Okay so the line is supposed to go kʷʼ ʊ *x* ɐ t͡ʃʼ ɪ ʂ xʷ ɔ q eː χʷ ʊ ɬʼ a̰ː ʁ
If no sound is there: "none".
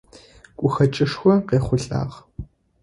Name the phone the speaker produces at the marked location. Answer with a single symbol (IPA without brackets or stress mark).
x